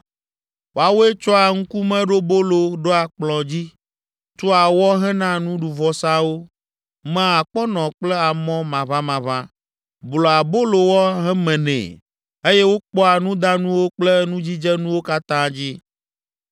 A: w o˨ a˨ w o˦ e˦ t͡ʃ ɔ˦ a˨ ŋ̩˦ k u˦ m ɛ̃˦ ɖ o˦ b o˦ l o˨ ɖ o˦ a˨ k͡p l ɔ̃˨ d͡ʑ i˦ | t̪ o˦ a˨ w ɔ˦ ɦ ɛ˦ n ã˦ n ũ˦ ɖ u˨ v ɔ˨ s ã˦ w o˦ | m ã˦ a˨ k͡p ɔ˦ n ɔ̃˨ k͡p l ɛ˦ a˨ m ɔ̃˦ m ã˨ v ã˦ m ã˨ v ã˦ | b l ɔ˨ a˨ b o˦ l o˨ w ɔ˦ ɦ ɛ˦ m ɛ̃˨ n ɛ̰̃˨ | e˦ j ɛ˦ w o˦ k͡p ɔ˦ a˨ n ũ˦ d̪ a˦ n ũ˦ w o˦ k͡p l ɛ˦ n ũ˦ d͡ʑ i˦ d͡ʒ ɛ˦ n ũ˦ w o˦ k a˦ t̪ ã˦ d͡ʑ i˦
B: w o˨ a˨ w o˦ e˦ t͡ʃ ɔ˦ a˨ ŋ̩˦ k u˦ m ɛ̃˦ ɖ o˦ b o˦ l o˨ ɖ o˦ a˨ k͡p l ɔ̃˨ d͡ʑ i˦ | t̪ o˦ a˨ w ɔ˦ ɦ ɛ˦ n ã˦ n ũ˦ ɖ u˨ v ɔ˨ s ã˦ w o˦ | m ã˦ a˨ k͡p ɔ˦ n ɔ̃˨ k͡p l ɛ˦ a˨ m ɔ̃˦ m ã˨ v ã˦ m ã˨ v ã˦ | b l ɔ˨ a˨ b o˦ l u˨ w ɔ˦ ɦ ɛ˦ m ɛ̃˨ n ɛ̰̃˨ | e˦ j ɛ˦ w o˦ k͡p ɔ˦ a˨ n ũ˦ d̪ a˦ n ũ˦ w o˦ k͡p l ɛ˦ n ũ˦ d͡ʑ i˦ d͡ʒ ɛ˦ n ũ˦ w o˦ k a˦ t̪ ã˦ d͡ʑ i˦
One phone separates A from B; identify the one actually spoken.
A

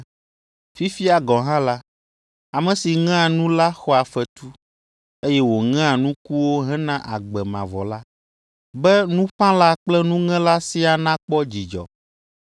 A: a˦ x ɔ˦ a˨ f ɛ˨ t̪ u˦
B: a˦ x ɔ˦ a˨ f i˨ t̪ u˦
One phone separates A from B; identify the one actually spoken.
A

